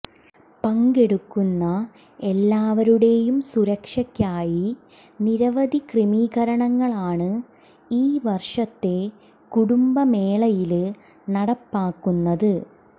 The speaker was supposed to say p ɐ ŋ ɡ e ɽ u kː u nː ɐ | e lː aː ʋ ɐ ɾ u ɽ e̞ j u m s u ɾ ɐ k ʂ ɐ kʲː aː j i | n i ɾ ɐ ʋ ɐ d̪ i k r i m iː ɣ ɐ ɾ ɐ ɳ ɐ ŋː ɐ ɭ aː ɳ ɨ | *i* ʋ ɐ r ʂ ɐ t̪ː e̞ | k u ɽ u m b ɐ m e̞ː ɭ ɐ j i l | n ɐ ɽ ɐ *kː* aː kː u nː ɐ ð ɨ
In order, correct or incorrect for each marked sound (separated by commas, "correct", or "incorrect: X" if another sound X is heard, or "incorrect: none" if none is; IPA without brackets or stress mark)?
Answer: incorrect: iː, incorrect: pː